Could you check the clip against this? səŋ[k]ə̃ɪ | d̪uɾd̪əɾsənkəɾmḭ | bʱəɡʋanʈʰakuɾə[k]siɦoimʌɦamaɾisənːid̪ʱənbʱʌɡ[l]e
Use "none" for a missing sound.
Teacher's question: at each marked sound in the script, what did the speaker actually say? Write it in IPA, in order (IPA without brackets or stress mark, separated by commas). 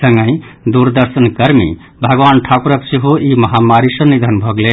ɡ, k, l